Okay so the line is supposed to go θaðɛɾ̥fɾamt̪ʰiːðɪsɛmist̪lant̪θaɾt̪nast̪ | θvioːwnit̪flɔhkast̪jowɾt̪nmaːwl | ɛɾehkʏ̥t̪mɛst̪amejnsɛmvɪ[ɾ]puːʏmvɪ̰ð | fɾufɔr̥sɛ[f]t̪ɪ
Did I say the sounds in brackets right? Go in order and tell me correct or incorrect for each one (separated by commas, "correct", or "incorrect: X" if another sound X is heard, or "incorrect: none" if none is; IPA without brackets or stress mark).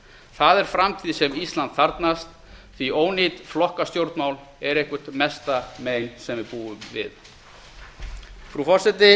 correct, incorrect: none